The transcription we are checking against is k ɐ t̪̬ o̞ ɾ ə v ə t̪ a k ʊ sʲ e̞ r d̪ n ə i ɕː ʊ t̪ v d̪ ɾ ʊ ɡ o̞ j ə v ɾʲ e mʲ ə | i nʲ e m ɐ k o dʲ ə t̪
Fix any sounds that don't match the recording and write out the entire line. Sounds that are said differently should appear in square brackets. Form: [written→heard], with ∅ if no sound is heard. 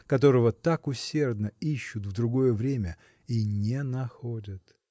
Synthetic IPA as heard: k ɐ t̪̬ o̞ ɾ ə v ə t̪ a k ʊ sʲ e̞ r d̪ n ə i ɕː ʊ t̪ v d̪ ɾ ʊ ɡ o̞ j ə v ɾʲ e mʲ ə | i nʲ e [m→n] ɐ [k→x] o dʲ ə t̪

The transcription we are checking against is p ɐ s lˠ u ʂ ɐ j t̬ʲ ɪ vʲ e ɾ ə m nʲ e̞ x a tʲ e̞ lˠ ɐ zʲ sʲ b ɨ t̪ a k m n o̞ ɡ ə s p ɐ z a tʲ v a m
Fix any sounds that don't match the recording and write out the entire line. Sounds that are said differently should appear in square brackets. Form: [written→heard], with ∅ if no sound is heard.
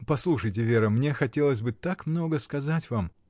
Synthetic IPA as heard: p ɐ s lˠ u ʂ [ɐ→ə] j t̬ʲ ɪ vʲ e ɾ ə m nʲ e̞ x [a→ɐ] tʲ e̞ lˠ [ɐ→ə] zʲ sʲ b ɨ t̪ a k m n o̞ ɡ ə s [p→k] ɐ z a tʲ v a m

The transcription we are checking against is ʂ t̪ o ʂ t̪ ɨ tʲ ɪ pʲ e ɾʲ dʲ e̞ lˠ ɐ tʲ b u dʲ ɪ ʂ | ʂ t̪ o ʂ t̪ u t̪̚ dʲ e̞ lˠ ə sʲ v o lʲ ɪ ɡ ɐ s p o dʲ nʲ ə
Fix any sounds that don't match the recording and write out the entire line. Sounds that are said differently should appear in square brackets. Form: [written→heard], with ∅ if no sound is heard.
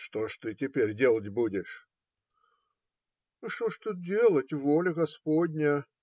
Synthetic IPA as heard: ʂ t̪ o ʂ t̪ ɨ tʲ ɪ pʲ e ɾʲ dʲ e̞ lˠ [ɐ→ə] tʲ b u dʲ ɪ ʂ | ʂ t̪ o ʂ t̪ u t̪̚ dʲ e̞ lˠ ə [sʲ→tʲ] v o lʲ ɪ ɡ ɐ s p o dʲ nʲ ə

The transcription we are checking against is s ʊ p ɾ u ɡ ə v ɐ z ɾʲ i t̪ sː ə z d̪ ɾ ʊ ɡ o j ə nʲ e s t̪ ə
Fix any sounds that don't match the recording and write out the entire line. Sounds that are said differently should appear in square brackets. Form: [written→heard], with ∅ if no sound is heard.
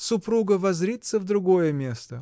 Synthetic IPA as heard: s ʊ p ɾ u ɡ ə v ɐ z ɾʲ i t̪ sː ə [z→v] d̪ ɾ ʊ ɡ o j ə [nʲ→mʲ] e s t̪ ə

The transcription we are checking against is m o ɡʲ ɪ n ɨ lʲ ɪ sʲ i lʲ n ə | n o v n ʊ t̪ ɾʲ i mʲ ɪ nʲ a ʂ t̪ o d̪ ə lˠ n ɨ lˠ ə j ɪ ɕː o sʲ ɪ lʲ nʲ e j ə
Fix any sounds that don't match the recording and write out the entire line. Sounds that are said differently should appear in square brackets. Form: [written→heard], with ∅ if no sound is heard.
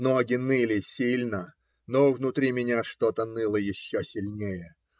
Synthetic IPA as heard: [m→n] o ɡʲ ɪ n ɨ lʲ ɪ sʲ i lʲ n ə | n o v n ʊ t̪ ɾʲ i mʲ ɪ nʲ a ʂ t̪ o [d̪→t̪] ə [lˠ→∅] n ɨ lˠ ə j ɪ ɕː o sʲ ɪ lʲ nʲ e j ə

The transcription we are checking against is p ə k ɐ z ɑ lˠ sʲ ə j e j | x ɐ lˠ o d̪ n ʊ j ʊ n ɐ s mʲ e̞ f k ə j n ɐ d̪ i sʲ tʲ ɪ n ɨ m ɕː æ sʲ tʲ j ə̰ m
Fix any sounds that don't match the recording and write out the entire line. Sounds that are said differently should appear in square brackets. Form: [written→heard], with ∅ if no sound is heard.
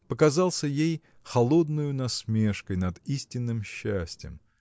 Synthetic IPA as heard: p ə k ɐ z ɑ lˠ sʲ ə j e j | x ɐ lˠ o d̪ n ʊ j ʊ n ɐ s mʲ e̞ [f→ʂ] k ə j n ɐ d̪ i sʲ tʲ ɪ [n→nː] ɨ m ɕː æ sʲ tʲ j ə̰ m

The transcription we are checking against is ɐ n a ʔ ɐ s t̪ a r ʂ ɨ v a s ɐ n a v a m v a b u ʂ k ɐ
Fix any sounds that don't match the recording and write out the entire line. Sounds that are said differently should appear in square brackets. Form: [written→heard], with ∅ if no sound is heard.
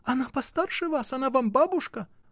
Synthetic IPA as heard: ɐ n a [ʔ→p] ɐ s t̪ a r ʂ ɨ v a s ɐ n a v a m [v→b] a b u ʂ k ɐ

